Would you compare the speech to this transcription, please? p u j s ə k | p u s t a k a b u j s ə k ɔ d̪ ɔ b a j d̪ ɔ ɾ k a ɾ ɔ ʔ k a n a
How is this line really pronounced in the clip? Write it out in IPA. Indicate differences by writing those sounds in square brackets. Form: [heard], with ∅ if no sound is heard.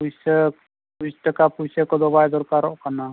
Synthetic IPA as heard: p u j s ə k | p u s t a k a [p] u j s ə k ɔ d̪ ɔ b a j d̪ ɔ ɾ k a ɾ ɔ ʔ k a n a